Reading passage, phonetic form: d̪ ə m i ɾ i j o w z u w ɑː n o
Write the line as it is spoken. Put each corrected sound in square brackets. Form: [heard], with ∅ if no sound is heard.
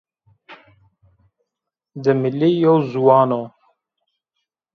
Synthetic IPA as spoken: d̪ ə m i [l] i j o w z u w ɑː n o

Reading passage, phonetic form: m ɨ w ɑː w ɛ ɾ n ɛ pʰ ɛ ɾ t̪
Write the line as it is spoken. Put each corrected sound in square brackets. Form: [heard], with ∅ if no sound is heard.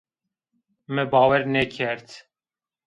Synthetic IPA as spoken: m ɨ [b] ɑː w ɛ ɾ n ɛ [kʰ] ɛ ɾ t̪

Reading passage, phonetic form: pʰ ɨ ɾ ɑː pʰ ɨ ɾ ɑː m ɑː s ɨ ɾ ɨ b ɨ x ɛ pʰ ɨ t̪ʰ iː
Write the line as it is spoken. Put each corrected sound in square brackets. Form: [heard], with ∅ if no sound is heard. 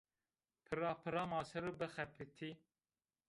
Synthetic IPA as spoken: pʰ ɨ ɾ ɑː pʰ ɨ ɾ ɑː m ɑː s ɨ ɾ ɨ b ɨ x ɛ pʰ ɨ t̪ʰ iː

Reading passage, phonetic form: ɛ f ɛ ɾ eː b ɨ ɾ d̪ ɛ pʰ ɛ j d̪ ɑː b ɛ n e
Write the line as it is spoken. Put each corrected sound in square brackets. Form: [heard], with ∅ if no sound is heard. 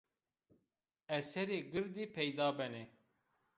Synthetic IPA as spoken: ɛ [s] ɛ ɾ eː [ɡ] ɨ ɾ d̪ [i] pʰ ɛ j d̪ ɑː b ɛ n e

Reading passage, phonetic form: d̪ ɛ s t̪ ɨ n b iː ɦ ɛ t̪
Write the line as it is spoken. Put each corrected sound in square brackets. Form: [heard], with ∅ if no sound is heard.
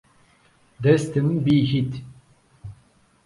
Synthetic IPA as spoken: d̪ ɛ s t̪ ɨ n b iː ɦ [i] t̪

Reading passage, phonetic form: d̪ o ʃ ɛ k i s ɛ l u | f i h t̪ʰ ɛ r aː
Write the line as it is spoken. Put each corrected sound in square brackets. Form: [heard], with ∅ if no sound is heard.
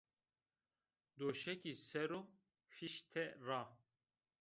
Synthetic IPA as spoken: d̪ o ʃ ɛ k i s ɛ [ɾ] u | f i [ʃ] t̪ʰ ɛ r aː

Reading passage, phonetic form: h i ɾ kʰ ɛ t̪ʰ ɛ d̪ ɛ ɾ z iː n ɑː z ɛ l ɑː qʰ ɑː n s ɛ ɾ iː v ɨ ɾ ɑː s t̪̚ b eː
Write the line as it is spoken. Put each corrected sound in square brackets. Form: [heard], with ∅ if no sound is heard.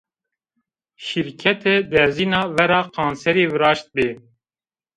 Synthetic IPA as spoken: [ʃ] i ɾ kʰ ɛ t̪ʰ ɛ d̪ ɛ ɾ z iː n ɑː [v] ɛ [ɾ] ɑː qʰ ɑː n s ɛ ɾ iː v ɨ ɾ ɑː [ʃ] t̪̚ b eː

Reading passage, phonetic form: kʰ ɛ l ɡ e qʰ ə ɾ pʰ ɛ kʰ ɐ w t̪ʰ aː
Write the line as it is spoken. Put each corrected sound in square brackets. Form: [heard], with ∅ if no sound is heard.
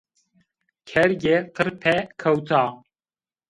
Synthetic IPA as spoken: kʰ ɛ [ɾ] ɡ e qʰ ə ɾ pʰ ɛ kʰ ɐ w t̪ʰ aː

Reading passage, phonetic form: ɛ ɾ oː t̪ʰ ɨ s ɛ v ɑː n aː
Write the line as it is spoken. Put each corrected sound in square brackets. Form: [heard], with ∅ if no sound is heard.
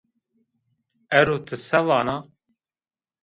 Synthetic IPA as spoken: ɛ ɾ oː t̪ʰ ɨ s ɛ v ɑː n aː

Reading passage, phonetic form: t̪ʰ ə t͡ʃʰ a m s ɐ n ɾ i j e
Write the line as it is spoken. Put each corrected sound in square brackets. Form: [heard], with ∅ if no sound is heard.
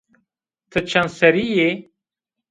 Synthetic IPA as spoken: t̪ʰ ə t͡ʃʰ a [n] s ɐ [∅] ɾ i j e

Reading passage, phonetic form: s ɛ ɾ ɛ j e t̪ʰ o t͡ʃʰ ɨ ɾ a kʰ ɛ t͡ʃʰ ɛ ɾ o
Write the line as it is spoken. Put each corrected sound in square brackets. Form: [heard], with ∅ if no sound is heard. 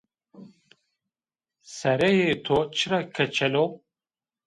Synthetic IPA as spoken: s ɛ ɾ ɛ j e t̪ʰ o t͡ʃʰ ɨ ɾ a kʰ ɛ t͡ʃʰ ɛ [l] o

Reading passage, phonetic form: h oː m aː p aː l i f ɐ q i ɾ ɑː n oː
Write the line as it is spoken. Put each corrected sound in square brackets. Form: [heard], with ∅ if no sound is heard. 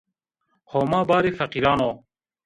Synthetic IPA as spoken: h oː m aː [b] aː [ɾ] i f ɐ q i ɾ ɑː n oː

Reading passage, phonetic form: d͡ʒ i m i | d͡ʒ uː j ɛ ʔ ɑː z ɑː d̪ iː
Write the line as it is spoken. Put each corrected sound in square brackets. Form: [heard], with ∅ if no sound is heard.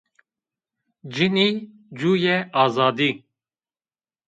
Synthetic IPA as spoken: d͡ʒ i [n] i | d͡ʒ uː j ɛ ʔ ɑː z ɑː d̪ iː

